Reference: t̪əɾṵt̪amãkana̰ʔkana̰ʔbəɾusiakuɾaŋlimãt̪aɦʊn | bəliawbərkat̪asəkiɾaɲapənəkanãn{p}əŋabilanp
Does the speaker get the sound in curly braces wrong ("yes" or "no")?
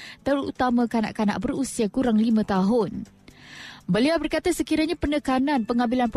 no